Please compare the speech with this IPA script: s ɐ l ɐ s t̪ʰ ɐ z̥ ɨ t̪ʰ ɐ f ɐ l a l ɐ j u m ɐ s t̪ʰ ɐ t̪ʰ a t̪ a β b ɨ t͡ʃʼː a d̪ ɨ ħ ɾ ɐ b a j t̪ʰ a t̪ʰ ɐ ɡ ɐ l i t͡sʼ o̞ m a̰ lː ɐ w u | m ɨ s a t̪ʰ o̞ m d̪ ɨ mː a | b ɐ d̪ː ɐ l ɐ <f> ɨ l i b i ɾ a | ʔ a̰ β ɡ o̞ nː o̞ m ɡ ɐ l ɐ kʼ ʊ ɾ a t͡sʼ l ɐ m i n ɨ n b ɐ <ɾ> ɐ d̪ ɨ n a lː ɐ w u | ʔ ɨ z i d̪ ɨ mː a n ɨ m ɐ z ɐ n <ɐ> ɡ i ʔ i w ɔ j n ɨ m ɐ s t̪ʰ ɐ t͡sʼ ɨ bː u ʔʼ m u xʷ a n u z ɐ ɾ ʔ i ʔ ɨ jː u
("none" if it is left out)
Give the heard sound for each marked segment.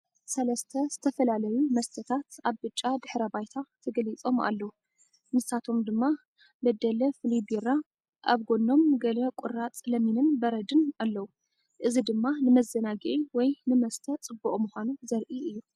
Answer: f, ɾ, a

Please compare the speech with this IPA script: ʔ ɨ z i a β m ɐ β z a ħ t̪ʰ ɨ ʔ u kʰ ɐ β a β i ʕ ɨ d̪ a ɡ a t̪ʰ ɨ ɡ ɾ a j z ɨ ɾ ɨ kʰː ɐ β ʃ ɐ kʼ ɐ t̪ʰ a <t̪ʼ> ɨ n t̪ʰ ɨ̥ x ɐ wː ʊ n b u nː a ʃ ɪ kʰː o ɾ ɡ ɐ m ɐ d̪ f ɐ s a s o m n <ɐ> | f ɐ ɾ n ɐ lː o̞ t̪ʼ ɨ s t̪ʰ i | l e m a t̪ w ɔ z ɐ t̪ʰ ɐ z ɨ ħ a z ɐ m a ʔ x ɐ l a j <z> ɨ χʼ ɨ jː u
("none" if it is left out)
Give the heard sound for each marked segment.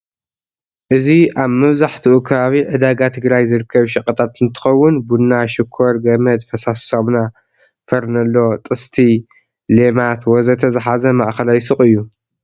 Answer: t̪, a, s

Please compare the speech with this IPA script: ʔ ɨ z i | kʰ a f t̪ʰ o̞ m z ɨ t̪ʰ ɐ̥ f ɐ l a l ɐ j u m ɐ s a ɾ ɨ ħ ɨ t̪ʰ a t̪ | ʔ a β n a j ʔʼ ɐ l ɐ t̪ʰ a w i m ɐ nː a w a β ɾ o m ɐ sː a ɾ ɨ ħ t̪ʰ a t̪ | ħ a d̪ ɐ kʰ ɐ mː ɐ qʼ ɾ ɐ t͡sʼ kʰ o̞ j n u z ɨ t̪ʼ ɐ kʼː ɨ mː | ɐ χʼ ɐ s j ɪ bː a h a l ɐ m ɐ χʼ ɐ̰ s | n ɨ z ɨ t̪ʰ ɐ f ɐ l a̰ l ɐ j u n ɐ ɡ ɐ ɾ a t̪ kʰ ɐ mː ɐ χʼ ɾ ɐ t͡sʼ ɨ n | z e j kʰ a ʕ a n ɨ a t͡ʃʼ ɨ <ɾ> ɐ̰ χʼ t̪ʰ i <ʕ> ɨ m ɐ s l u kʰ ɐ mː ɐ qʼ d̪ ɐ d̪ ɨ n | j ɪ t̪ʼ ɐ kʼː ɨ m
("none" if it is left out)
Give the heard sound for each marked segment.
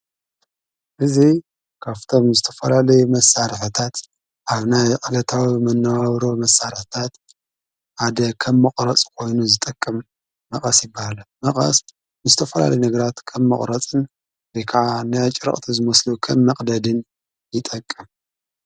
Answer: ɾ, z

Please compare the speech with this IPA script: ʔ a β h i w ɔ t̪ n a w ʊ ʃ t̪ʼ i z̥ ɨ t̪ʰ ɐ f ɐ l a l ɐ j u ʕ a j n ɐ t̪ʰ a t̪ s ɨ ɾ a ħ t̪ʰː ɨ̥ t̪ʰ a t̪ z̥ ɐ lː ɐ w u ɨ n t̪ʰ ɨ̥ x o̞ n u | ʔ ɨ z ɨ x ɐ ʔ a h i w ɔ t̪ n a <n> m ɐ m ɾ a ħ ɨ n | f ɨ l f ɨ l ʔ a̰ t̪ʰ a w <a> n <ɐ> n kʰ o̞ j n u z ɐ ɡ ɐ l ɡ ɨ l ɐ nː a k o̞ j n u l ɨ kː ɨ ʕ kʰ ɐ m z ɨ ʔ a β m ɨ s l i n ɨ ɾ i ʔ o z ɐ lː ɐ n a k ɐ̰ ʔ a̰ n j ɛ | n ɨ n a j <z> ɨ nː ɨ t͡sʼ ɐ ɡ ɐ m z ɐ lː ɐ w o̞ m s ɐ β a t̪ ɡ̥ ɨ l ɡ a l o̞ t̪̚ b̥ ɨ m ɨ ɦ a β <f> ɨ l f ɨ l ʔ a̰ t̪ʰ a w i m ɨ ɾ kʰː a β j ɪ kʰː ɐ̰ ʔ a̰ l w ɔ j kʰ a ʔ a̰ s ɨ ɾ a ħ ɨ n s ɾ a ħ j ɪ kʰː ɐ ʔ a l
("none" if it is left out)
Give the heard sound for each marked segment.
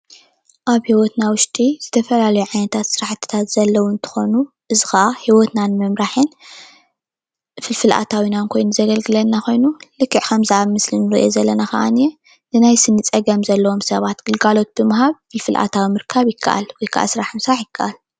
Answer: n, i, a, s, f

